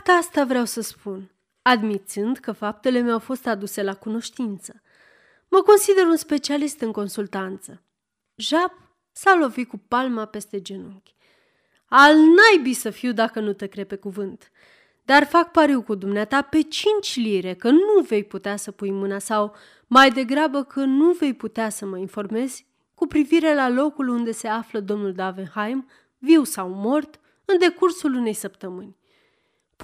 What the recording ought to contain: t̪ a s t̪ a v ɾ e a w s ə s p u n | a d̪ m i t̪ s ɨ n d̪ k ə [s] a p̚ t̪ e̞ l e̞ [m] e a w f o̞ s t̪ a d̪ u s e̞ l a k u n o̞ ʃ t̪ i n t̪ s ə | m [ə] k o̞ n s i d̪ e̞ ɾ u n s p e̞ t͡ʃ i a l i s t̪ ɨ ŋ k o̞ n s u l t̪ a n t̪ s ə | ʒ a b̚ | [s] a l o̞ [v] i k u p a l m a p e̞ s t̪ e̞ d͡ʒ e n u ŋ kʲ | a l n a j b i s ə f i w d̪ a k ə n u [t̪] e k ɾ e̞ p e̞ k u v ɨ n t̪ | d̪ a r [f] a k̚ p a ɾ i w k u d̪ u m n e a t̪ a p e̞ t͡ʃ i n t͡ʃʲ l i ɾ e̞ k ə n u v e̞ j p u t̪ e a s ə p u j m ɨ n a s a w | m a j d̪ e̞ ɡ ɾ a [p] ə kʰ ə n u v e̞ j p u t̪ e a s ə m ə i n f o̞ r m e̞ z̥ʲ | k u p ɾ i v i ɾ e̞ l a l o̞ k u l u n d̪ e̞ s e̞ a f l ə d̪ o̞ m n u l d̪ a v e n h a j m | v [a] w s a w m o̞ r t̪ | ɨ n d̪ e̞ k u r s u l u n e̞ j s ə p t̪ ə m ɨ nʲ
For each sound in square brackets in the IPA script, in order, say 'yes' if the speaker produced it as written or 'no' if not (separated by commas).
no, yes, yes, yes, yes, yes, yes, no, no